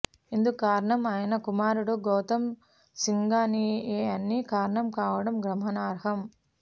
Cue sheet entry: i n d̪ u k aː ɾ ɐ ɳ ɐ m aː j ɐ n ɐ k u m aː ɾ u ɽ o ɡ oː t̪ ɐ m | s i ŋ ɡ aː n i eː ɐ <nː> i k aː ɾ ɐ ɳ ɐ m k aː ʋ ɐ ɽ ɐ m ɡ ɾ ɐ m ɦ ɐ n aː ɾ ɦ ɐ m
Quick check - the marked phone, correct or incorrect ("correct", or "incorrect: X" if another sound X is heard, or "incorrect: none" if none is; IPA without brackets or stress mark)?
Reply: correct